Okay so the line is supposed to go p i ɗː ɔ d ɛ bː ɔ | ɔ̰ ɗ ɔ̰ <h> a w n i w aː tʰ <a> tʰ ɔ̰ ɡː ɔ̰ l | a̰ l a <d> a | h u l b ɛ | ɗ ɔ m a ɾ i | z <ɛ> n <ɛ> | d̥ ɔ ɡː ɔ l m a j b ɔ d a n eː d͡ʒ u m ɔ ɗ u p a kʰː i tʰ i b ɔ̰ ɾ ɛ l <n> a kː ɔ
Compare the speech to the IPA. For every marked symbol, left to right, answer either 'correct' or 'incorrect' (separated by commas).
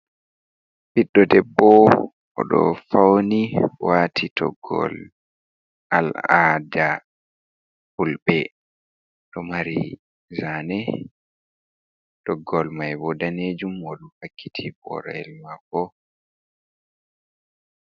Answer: incorrect, incorrect, correct, incorrect, correct, incorrect